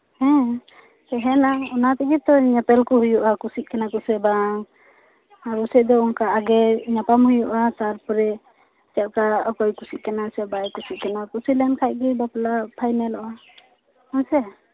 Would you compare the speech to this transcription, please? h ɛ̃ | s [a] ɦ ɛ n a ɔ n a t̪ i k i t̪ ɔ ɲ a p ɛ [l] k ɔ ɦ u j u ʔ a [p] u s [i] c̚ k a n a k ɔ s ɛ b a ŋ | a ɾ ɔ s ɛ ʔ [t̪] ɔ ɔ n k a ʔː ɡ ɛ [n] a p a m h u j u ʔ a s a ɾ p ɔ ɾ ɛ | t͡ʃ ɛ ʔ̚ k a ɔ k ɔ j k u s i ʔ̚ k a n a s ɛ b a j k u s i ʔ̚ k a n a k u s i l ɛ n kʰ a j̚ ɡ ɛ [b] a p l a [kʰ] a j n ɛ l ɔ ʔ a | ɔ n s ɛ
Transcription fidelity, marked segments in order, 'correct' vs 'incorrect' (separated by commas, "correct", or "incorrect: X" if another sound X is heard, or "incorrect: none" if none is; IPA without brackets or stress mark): incorrect: ɛ, correct, incorrect: k, correct, incorrect: d̪, incorrect: ɲ, correct, incorrect: pʰ